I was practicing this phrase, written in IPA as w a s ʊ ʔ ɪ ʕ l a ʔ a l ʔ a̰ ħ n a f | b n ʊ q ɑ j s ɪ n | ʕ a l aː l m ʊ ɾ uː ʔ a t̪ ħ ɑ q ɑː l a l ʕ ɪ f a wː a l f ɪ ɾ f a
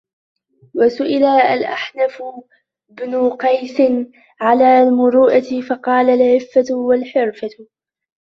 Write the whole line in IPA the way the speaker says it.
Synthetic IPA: w a s ʊ ʔ ɪ l a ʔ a l ʔ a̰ ħ n a f | b n ʊ q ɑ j s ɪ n | ʕ a l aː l m ʊ ɾ uː ʔ a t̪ f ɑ q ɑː l a l ʕ ɪ fː a w a l ħ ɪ ɾ f a